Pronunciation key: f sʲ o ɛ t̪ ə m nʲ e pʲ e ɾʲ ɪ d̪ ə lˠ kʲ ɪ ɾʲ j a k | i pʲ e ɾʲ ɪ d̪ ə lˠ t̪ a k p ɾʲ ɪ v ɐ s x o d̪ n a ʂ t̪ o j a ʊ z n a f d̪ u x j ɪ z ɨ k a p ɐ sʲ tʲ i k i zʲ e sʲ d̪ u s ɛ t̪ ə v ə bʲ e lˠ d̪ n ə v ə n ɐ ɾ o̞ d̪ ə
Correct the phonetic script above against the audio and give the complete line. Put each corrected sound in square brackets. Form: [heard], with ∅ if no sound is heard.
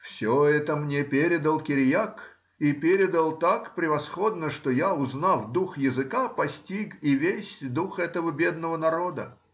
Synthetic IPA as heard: f sʲ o ɛ t̪ ə m nʲ e pʲ e ɾʲ ɪ d̪ ə lˠ kʲ ɪ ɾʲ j a k | i pʲ e ɾʲ ɪ d̪ ə lˠ t̪ a k p ɾʲ ɪ v ɐ s x o d̪ n [ə] ʂ t̪ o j a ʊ z n a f d̪ u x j ɪ z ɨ k a p ɐ sʲ tʲ i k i [vʲ] e sʲ d̪ u [x] ɛ t̪ ə v ə bʲ e [∅] d̪ n ə v ə n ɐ ɾ o̞ d̪ ə